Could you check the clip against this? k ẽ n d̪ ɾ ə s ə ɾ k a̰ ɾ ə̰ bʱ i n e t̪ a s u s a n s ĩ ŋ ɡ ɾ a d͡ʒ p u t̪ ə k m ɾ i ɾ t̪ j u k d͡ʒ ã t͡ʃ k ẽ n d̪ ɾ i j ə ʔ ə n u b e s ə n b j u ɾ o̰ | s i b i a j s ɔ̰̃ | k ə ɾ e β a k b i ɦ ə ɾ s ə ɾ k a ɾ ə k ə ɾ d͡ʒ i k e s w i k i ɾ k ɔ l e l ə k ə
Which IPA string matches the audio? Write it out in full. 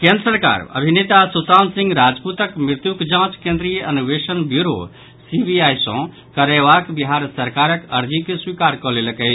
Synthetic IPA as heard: k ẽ n d̪ ɾ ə s ə ɾ k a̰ ɾ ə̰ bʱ i n e t̪ a s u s a n s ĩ ŋ ɡ ɾ a d͡ʒ p u t̪ ə k m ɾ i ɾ t̪ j u k d͡ʒ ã t͡ʃ k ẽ n d̪ ɾ i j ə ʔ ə n u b e s ə n b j u ɾ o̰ | s i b i a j s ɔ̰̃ | k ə ɾ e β a k b i ɦ a ɾ s ə ɾ k a ɾ ə k ə ɾ d͡ʒ i k e s w i k a ɾ k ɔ l e l ə k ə